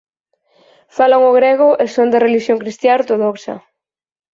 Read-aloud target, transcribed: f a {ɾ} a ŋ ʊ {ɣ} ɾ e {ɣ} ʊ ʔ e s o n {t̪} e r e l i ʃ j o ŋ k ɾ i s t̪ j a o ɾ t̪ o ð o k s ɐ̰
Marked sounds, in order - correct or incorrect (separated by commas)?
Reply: incorrect, correct, correct, incorrect